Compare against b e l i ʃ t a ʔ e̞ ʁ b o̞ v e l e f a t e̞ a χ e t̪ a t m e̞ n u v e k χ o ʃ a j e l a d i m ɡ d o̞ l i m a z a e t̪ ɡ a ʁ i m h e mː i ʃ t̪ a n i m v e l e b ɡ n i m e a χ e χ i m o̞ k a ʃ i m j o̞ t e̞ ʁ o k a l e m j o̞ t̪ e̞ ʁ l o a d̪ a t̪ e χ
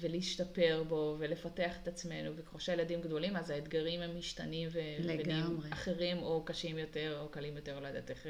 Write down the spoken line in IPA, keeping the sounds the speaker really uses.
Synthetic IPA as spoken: v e l i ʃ t a p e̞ ʁ b o̞ v e l e f a t e̞ a χ e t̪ a t͡s m e̞ n u v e k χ o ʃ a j e l a d i m ɡ d o̞ l i m a z a e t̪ ɡ a ʁ i m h e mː i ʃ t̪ a n i m v e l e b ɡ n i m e a χ e ʁ i m o̞ k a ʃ i m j o̞ t e̞ ʁ o k a l i m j o̞ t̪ e̞ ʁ l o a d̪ a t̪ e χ